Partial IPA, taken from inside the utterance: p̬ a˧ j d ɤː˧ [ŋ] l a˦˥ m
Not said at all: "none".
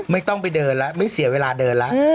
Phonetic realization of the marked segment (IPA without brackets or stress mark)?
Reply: n